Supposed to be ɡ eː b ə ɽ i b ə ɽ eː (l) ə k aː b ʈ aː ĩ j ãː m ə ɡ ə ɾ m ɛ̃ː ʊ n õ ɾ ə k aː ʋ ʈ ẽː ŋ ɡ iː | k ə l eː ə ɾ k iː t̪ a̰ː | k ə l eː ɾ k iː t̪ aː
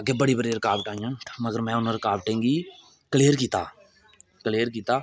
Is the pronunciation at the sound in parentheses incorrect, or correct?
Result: incorrect: ɾ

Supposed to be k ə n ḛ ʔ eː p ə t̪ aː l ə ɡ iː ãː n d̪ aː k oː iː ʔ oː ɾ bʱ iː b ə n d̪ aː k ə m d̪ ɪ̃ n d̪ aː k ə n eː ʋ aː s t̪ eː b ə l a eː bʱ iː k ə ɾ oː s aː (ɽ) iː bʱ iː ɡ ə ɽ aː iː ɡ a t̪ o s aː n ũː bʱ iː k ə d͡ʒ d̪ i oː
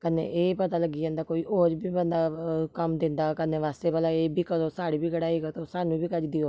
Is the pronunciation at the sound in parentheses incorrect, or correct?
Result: correct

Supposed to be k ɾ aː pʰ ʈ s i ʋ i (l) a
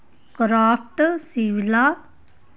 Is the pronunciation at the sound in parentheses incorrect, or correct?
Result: correct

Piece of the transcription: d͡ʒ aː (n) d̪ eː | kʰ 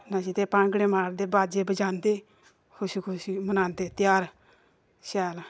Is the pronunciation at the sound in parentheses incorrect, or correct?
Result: correct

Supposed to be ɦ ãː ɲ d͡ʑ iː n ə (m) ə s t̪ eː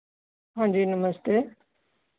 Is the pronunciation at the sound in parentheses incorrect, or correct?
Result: correct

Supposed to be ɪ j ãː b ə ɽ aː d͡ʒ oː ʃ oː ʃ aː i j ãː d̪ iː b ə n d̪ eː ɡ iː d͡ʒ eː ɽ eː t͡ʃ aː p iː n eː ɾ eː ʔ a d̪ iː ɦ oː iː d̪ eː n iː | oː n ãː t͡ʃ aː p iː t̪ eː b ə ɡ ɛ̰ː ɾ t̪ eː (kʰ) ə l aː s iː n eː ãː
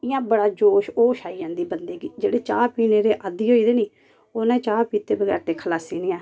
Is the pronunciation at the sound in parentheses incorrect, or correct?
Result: correct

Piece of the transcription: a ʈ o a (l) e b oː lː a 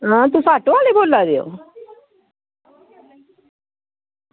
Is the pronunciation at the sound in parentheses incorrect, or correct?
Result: correct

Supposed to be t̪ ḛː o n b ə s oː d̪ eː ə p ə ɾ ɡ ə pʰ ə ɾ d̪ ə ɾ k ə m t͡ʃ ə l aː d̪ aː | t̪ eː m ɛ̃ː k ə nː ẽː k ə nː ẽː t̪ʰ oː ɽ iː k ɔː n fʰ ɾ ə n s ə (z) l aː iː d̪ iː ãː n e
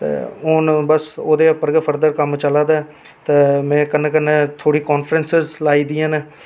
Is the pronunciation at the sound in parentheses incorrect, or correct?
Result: correct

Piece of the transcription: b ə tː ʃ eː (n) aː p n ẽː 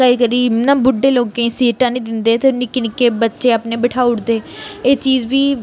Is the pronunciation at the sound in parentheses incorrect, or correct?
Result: incorrect: none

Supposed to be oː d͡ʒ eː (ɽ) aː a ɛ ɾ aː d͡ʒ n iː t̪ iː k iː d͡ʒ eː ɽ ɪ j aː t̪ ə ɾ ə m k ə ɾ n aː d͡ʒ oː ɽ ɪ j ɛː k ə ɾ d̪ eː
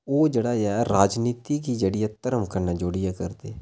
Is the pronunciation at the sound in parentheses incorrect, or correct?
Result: correct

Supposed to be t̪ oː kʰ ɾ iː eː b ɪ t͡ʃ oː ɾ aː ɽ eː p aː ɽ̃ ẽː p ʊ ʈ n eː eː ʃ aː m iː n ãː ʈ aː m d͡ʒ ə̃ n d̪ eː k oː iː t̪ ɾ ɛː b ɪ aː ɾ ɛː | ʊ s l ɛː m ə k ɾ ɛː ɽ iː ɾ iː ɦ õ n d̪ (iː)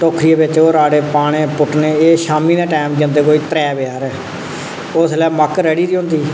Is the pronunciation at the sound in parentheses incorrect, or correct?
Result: correct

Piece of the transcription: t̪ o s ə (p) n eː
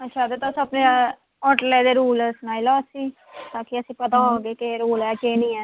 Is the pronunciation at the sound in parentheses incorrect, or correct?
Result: correct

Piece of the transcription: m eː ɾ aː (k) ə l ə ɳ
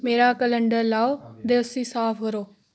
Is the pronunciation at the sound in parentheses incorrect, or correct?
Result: correct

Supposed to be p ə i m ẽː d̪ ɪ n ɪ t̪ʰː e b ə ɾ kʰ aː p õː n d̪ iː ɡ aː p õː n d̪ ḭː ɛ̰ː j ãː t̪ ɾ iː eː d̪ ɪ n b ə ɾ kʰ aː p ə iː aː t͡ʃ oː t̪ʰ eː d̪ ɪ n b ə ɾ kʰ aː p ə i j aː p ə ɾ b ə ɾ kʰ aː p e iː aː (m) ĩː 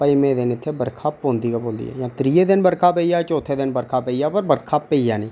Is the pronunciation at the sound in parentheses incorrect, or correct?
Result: incorrect: n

